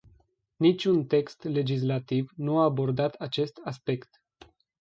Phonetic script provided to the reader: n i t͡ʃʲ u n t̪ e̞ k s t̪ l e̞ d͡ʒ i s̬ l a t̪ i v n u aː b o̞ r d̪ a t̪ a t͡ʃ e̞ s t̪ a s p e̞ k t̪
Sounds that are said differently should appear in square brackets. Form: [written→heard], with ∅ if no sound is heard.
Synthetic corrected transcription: n i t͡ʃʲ u n t̪ e̞ k s t̪ l e̞ d͡ʒ i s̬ l a t̪ i v n u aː b o̞ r d̪ a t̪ a t͡ʃ e̞ s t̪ a s p e̞ k t̪